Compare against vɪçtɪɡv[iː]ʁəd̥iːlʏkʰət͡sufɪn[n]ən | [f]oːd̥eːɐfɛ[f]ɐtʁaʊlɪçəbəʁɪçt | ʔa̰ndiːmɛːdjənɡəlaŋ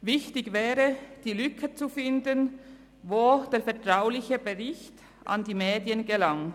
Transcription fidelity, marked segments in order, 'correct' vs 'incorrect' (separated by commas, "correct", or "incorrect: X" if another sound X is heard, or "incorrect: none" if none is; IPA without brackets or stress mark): incorrect: ɛː, incorrect: d, incorrect: v, incorrect: none